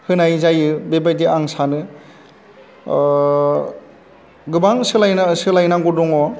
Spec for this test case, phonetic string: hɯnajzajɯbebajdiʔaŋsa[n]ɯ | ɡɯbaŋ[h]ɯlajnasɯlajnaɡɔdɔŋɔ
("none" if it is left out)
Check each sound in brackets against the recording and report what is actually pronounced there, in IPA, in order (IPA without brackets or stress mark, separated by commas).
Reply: n, s